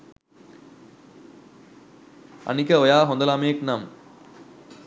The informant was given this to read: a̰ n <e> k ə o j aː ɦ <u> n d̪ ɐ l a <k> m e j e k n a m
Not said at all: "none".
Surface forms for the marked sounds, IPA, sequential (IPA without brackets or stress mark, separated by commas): i, o, none